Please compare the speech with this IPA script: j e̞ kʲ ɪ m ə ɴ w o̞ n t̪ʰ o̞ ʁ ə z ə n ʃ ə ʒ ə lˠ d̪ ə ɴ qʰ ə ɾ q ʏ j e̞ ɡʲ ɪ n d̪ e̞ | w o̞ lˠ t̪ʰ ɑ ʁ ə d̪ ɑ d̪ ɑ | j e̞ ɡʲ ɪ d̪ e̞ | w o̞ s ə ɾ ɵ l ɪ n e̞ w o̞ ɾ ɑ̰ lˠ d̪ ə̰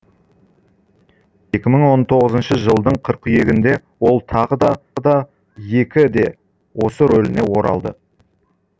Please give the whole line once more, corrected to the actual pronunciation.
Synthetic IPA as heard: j e̞ kʲ ɪ m ə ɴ w o̞ n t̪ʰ o̞ ʁ ə z ə n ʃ ə ʒ ə lˠ d̪ ə ɴ qʰ ə ɾ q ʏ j e̞ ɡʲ ɪ n d̪ e̞ | w o̞ lˠ t̪ʰ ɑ ʁ ə d̪ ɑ d̪ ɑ | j e̞ kʲ ɪ d̪ e̞ | w o̞ s ə ɾ ɵ l ɪ n e̞ w o̞ ɾ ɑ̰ lˠ d̪ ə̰